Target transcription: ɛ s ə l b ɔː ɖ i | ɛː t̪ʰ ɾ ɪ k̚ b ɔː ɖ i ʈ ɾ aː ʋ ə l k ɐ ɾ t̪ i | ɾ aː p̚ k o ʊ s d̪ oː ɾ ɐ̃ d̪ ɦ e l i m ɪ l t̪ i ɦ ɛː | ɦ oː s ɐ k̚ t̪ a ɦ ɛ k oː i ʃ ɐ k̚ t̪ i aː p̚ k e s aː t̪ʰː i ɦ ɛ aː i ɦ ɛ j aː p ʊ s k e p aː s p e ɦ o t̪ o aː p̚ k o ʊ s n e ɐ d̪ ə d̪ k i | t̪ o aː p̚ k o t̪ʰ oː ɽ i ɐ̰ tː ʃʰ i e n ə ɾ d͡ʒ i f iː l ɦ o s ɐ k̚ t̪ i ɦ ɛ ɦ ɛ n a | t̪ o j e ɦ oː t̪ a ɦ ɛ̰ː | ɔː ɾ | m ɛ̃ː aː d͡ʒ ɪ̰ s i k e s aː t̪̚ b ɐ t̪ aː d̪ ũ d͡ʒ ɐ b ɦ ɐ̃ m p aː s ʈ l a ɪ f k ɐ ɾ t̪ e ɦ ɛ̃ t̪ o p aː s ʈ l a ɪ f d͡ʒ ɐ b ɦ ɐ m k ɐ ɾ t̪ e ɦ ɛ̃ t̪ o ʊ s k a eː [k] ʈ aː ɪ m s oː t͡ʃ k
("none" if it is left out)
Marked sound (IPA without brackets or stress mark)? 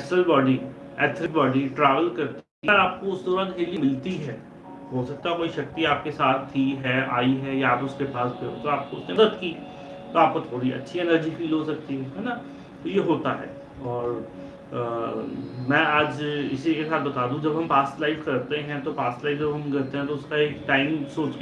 k